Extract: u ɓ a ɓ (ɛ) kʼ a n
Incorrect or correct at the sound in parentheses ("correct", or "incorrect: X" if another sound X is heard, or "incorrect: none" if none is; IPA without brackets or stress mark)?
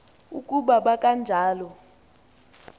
incorrect: a